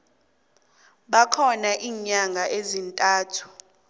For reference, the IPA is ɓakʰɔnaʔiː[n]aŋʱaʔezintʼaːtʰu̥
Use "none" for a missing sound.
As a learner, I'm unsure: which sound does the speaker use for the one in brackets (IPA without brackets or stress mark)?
ɲ